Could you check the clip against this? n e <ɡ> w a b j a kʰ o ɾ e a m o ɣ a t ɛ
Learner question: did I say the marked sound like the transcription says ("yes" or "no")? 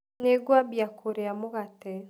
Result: yes